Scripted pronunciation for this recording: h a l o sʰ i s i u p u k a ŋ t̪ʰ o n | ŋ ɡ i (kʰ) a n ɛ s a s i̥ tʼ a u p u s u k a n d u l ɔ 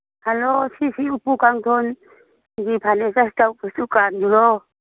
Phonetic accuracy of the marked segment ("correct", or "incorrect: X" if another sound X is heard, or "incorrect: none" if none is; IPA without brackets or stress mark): incorrect: pʰ